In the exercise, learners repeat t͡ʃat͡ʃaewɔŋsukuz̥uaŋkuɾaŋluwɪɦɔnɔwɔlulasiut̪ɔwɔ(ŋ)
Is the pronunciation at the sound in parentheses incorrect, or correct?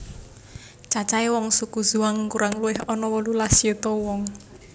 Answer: correct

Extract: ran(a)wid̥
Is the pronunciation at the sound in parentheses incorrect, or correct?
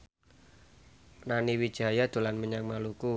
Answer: incorrect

